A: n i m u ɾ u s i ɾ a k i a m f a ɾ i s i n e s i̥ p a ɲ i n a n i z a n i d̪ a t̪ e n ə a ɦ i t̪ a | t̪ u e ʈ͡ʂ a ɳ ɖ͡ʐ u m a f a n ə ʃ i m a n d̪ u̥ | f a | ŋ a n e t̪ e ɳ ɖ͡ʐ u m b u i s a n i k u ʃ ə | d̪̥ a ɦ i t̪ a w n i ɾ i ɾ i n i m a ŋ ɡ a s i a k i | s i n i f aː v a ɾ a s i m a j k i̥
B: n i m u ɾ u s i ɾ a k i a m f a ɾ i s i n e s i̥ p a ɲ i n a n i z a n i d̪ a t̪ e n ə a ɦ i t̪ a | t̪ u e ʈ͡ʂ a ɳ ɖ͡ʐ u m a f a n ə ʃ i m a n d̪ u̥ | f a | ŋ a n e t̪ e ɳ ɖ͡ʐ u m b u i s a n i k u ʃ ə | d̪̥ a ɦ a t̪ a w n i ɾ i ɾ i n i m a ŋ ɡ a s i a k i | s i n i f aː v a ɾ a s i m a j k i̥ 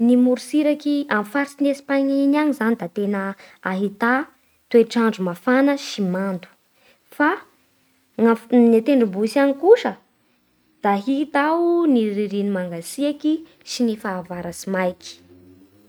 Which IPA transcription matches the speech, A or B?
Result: A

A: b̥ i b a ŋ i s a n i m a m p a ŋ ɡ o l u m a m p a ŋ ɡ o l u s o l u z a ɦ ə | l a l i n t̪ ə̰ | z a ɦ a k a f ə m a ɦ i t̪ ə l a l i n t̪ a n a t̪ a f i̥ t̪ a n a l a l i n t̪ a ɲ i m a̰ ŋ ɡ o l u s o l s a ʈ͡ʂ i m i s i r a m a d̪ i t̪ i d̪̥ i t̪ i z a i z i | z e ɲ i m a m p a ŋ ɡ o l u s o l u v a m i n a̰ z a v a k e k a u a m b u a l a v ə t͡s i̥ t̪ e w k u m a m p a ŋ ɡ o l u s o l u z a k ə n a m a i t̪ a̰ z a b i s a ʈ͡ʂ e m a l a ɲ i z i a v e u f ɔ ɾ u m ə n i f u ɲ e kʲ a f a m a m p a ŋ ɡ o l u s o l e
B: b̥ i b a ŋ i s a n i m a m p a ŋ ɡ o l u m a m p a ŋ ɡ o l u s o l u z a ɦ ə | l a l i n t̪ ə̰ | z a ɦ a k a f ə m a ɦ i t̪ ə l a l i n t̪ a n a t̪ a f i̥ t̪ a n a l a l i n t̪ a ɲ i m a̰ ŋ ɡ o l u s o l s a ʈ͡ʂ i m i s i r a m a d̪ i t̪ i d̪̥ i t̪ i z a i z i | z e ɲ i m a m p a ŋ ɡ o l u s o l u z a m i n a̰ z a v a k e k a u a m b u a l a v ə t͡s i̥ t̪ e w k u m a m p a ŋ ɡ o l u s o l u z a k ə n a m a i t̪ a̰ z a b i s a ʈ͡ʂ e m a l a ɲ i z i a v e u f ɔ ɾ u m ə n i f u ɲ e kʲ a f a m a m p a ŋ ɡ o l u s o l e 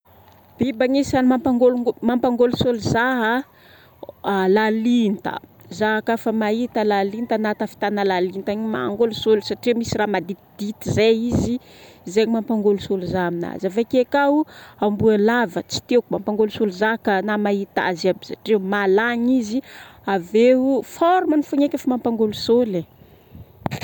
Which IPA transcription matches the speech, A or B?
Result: B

